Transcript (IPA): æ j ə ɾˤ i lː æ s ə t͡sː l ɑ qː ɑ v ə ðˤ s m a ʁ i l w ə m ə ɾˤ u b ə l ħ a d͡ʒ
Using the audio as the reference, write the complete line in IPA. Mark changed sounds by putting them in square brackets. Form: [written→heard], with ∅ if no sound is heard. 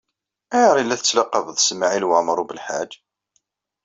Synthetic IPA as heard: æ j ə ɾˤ i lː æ [s→θ] ə t͡sː l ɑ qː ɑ v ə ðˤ s m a [ʁ→ʕ] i l w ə m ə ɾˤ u b ə l ħ a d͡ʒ

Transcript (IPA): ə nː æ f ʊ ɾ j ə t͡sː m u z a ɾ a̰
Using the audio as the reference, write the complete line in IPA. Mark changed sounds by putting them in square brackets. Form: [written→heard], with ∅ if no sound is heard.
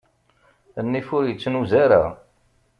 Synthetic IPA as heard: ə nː [æ→i] f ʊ ɾ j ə t͡sː [m→n] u z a ɾ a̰

